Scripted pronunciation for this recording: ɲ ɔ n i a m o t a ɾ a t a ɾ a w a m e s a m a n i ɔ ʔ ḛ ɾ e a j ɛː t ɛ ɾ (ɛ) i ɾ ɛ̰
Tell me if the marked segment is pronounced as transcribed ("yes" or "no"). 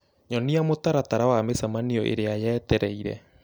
yes